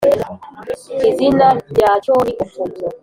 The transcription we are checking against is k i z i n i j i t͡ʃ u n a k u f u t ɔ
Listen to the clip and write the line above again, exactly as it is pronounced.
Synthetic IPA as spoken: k i z i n a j a t͡ʃ ɔ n i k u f u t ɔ